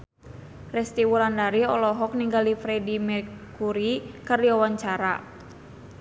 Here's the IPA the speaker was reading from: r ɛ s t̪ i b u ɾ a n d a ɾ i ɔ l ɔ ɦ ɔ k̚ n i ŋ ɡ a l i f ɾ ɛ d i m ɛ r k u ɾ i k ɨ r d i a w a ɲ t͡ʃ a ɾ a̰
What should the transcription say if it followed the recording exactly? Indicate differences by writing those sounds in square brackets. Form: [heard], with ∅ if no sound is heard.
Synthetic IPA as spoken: r ɛ s t̪ i [w] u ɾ a n d a ɾ i ɔ l ɔ ɦ ɔ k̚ n i ŋ ɡ a l i f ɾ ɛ d i m ɛ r k u ɾ i k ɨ r d i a w a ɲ t͡ʃ a ɾ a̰